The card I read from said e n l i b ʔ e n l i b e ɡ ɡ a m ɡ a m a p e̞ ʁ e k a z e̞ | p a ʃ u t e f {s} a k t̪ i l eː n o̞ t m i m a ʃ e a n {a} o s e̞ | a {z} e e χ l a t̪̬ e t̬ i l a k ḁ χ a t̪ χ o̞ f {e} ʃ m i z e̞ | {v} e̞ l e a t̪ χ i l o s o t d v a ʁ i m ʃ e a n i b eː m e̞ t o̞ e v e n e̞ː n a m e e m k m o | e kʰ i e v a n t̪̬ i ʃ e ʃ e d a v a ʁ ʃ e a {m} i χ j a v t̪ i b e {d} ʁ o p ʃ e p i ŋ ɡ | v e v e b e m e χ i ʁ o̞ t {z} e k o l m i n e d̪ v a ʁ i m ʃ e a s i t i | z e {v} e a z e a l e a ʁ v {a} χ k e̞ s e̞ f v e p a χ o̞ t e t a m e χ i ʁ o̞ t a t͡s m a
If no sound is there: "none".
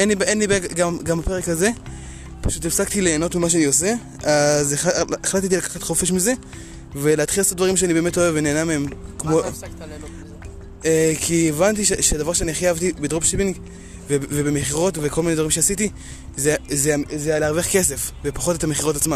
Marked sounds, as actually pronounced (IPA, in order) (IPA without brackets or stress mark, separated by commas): s, i, z, e, v, n, d, v, z, e